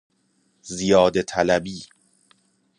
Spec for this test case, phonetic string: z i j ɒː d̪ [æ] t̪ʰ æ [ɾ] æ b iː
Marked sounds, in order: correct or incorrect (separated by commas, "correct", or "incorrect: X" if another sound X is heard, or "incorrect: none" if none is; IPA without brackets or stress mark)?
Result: incorrect: e, incorrect: l